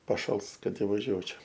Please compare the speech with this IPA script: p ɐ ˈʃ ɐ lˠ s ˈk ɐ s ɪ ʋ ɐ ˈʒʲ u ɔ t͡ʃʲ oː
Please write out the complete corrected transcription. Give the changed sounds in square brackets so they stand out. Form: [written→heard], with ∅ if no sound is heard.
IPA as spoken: p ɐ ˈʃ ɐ lˠ s ˈk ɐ [s→t] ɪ ʋ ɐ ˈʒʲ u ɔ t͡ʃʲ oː